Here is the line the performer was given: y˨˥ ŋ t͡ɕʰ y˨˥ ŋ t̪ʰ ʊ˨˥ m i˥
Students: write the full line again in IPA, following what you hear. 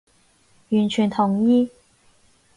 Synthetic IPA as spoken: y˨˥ n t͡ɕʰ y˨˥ n t̪ʰ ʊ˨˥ ŋ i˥